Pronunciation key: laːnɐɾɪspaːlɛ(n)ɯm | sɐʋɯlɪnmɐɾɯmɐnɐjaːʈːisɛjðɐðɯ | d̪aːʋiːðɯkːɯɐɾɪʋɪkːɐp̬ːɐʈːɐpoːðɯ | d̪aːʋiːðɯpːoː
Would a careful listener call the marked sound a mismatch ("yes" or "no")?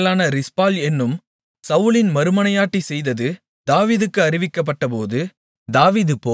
yes